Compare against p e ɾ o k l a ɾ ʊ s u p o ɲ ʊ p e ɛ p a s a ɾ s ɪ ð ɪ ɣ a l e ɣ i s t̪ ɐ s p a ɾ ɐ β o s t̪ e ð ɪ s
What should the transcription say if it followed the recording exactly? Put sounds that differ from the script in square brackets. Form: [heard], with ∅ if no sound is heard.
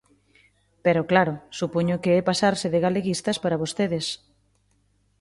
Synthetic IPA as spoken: p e ɾ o k l a ɾ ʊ s u p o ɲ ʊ [k] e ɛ p a s a ɾ s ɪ ð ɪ ɣ a l e ɣ i s t̪ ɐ s p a ɾ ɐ β o s t̪ e ð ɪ s